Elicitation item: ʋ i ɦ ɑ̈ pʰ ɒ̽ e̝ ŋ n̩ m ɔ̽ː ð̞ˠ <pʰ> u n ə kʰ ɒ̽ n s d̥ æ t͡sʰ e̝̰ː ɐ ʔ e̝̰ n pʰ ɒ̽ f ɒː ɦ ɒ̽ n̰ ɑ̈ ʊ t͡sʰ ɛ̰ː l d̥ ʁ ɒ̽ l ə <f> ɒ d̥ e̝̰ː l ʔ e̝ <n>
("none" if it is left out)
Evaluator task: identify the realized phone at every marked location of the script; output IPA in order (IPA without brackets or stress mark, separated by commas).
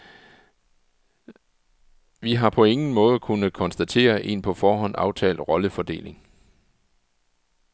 kʰ, f, ŋ